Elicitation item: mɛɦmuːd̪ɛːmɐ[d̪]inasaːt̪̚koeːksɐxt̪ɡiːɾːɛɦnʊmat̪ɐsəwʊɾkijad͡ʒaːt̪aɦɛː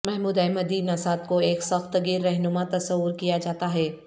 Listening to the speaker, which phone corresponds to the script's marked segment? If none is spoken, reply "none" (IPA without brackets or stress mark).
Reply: d̪